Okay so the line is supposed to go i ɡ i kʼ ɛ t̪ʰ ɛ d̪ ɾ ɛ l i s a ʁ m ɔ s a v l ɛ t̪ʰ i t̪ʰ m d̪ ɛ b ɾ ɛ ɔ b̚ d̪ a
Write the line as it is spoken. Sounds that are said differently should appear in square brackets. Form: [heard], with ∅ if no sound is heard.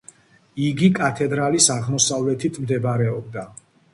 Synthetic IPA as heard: i ɡ i kʼ [a] t̪ʰ ɛ d̪ ɾ [a] l i s a ʁ m ɔ s a v l ɛ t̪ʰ i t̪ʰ m d̪ ɛ b ɾ ɛ ɔ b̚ d̪ a